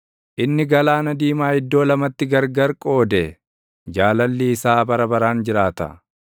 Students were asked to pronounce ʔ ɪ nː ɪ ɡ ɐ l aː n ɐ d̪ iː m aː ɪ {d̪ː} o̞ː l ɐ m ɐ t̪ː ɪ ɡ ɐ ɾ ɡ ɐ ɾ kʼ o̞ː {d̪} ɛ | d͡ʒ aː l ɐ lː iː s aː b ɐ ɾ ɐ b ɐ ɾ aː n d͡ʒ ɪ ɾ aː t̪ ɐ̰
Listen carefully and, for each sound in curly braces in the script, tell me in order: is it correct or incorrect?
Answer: correct, correct

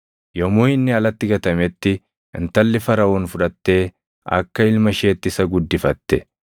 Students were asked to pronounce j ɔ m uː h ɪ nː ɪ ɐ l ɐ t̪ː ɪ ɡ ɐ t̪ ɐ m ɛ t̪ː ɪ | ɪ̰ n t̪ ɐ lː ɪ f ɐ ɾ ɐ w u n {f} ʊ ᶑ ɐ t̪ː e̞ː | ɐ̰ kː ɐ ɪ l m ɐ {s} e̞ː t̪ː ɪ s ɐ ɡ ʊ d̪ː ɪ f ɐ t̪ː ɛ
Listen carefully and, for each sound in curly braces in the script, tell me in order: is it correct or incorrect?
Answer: correct, incorrect

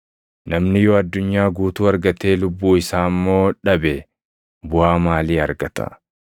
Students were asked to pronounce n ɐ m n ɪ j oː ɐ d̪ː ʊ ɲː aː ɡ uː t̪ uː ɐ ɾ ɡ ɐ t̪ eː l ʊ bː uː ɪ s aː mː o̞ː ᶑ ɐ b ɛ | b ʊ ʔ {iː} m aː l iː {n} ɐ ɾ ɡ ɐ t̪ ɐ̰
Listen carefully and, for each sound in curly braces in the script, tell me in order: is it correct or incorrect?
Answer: incorrect, incorrect

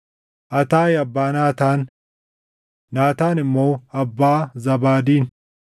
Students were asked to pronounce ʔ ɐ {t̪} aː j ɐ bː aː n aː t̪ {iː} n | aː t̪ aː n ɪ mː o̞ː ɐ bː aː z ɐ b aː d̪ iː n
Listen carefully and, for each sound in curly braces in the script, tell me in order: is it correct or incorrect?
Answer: correct, incorrect

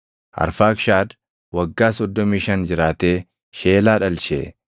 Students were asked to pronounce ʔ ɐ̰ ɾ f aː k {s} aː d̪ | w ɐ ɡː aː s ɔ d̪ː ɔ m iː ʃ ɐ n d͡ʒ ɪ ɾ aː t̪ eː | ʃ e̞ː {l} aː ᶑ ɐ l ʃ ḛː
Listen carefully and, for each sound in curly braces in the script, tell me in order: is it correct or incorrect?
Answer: incorrect, correct

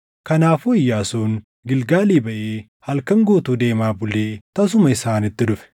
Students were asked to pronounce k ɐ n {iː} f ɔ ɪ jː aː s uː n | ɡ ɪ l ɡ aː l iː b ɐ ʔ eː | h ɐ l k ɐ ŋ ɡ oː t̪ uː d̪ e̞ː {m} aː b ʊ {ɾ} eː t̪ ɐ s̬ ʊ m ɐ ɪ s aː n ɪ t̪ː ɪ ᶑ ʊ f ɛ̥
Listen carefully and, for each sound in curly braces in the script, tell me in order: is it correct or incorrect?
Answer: incorrect, correct, incorrect

